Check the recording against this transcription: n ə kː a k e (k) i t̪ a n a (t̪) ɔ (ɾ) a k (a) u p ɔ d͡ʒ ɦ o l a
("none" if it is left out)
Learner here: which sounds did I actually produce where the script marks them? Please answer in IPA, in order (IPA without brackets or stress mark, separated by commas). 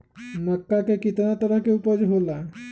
k, t̪, ɾ, e